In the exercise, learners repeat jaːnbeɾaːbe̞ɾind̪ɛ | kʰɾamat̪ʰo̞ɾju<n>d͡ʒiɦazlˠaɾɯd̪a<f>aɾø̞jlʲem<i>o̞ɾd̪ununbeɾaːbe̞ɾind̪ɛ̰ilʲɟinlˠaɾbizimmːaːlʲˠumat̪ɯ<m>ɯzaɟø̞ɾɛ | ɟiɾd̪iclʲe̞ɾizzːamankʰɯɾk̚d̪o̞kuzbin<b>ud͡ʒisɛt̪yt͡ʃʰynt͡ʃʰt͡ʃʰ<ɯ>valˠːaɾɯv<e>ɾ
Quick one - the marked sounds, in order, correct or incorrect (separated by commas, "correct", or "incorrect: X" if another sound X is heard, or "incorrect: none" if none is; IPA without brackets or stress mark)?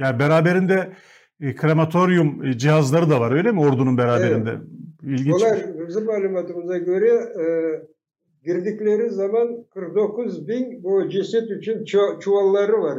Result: incorrect: m, incorrect: v, correct, correct, correct, incorrect: u, incorrect: a